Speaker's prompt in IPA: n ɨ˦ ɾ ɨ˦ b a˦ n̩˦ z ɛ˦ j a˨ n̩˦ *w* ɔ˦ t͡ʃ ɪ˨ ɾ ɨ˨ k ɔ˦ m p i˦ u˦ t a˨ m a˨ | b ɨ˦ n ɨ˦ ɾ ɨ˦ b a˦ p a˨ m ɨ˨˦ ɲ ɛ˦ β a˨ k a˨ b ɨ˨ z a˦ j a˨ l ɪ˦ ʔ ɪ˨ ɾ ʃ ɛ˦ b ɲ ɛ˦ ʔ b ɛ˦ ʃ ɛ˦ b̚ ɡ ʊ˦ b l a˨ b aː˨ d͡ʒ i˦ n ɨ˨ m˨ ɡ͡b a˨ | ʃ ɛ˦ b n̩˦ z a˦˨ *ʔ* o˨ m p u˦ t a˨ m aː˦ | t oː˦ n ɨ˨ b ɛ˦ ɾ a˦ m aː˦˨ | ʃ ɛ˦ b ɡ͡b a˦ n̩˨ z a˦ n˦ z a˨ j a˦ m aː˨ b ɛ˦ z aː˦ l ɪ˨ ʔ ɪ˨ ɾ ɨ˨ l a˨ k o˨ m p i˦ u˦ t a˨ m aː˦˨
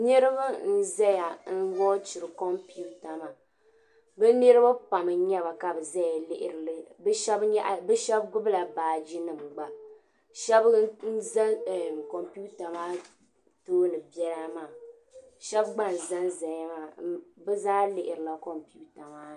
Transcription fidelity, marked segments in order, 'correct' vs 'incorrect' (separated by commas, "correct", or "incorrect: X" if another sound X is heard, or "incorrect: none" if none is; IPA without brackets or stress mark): correct, incorrect: k